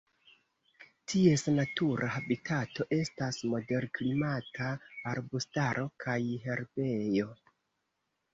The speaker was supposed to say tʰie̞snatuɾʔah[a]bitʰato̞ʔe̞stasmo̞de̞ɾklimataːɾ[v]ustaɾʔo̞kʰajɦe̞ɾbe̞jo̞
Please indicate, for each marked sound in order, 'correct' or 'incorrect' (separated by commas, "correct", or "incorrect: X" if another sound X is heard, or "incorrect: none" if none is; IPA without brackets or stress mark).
correct, incorrect: b